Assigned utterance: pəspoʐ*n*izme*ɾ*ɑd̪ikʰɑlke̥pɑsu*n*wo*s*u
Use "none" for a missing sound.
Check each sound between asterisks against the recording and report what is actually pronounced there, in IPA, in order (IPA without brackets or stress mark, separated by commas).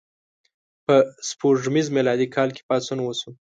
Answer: m, l, n, s